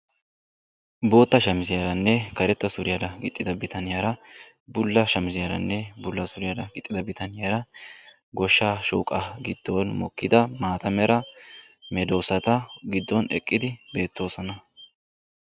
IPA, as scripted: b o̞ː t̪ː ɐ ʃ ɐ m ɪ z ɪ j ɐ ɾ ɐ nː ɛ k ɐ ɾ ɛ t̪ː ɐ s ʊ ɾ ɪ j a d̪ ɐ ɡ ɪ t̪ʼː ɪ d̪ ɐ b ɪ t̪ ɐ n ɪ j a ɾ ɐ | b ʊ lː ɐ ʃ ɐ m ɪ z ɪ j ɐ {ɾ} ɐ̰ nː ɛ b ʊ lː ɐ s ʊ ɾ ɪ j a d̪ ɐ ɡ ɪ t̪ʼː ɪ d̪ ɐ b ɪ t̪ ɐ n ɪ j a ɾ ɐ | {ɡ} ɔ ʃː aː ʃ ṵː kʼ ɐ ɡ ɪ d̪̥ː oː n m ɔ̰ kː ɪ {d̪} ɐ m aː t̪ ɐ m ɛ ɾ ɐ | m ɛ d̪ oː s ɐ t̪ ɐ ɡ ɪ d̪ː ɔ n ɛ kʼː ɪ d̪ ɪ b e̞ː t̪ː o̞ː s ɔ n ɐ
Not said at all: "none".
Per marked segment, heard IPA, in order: ɾ, ɡ, d̪

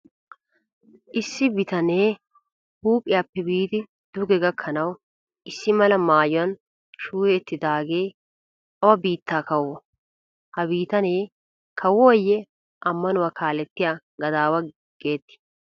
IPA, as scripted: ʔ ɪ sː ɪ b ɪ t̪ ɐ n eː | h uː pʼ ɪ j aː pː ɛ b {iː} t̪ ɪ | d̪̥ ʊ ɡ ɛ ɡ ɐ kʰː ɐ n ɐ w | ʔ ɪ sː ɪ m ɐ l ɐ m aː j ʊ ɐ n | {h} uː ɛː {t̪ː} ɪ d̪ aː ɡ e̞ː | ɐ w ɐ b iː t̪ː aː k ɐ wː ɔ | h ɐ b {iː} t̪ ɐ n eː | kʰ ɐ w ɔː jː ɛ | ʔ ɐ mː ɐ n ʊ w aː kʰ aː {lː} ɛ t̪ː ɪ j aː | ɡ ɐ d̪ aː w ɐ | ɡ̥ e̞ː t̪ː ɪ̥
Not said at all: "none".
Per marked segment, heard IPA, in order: iː, ʃ, t̪ː, iː, l

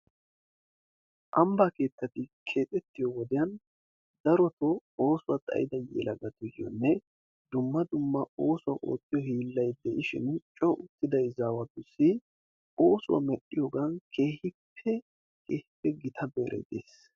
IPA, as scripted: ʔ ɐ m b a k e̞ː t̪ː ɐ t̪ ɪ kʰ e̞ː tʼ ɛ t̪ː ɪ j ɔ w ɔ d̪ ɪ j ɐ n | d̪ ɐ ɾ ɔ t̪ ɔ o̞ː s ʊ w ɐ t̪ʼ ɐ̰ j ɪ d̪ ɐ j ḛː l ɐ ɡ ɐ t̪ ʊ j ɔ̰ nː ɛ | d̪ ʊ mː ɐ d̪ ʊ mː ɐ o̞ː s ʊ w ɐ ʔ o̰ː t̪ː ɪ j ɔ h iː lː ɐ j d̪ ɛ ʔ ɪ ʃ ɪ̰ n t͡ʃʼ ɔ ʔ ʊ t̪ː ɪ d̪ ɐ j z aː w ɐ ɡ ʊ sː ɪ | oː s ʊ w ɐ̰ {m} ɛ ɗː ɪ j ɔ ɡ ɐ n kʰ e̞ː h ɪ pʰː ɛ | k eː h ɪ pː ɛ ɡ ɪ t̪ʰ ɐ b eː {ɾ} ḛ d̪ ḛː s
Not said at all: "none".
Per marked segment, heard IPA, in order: m, ɾ

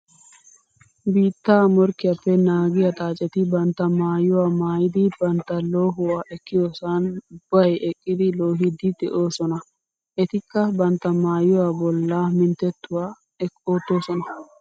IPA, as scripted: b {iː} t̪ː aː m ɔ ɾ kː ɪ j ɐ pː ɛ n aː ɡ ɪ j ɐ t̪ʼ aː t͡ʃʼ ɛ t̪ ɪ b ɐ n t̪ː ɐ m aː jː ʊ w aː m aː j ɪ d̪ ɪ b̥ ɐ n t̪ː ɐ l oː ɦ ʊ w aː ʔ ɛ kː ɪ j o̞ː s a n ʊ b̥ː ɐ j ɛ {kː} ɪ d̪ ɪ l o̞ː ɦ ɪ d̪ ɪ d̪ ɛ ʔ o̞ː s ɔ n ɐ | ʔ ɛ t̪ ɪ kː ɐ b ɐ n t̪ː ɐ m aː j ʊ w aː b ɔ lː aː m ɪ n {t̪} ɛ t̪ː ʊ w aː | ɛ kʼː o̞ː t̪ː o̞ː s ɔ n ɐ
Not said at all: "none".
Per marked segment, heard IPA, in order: iː, kʼː, t̪

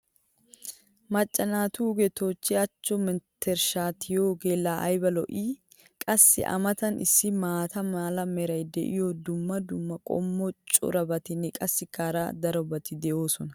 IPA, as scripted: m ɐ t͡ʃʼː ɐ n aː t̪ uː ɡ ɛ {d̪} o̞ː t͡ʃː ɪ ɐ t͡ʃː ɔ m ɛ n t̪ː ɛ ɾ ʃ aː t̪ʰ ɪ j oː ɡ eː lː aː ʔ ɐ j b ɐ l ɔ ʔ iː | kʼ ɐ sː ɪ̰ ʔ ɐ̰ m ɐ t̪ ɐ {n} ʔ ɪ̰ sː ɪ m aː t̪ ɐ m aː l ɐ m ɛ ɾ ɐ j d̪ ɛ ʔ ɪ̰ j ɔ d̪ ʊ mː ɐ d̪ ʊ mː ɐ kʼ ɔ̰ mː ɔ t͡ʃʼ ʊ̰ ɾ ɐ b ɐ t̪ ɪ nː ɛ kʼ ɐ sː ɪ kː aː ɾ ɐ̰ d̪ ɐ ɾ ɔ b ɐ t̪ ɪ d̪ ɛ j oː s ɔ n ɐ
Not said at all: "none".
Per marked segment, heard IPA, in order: t̪, n

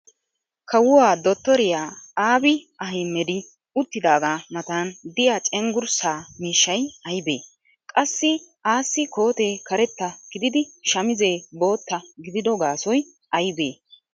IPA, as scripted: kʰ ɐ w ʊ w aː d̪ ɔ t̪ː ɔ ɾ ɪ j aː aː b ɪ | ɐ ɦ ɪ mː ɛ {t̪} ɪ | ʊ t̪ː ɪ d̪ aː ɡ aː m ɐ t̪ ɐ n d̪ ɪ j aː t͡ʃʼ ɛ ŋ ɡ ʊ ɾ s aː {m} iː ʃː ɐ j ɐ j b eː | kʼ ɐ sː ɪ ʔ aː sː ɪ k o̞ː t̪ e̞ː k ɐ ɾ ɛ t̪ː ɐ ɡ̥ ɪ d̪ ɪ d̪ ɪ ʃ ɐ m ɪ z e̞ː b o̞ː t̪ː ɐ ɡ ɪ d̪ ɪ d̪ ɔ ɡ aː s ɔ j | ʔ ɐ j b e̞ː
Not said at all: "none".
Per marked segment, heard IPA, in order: d̪, m

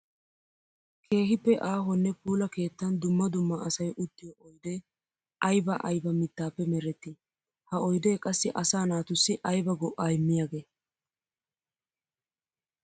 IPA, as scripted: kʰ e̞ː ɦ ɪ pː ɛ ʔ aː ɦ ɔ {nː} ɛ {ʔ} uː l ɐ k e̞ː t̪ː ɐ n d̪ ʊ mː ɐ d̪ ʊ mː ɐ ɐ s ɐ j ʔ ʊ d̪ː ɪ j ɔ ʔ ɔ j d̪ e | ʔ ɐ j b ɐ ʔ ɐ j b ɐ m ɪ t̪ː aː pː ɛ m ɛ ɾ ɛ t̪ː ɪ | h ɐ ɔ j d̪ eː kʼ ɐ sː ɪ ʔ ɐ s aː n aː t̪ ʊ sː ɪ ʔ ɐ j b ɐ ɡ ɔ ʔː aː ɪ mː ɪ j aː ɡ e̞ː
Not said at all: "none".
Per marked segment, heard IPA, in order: nː, p

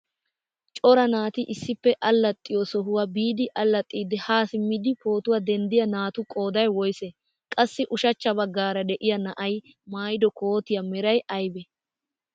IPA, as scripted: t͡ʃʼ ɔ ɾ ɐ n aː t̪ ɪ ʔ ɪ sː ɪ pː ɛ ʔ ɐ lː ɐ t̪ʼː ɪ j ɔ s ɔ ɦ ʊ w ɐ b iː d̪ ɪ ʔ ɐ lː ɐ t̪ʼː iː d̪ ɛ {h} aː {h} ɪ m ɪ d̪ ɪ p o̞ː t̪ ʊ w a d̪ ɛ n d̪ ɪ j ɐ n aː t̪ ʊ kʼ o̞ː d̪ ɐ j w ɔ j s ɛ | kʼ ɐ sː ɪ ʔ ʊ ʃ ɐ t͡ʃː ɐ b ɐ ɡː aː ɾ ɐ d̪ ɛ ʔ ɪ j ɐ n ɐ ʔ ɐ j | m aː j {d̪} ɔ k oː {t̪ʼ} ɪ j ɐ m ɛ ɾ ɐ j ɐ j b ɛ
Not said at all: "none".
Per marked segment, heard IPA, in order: h, s, d̪, t̪

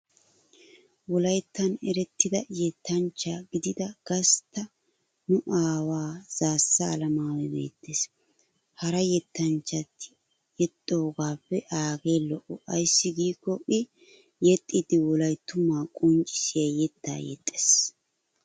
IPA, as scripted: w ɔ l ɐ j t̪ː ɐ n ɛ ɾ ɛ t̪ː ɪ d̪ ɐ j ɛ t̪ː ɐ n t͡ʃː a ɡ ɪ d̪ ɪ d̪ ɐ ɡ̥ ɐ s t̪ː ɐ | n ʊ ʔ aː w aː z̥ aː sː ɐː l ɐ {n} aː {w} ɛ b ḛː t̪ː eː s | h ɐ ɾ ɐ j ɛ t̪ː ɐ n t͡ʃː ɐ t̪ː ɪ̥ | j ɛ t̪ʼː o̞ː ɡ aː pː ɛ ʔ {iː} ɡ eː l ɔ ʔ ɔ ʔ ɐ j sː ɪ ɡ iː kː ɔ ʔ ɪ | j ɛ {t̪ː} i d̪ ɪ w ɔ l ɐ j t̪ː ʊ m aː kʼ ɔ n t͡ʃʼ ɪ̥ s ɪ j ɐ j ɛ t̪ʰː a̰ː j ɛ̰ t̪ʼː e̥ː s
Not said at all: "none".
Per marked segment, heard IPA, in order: m, w, aː, t̪ʼː

